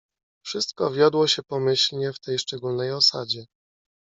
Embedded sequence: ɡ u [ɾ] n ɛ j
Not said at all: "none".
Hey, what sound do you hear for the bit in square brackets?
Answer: l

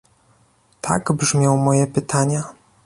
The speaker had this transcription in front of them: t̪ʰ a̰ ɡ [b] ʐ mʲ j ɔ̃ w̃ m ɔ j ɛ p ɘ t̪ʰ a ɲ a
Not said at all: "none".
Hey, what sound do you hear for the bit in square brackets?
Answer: b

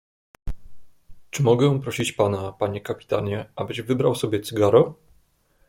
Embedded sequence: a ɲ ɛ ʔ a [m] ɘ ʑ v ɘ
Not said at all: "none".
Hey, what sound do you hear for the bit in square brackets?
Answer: b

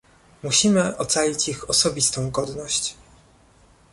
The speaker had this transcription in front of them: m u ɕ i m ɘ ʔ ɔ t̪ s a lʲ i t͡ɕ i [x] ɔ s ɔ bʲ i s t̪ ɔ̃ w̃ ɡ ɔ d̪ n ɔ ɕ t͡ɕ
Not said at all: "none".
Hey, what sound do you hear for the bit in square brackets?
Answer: x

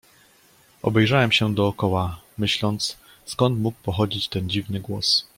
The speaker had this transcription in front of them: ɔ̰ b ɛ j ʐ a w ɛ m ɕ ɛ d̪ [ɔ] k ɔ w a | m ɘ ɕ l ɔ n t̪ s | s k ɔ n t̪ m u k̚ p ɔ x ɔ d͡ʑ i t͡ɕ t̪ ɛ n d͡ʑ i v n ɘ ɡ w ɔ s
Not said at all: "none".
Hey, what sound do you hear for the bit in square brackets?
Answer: ɔː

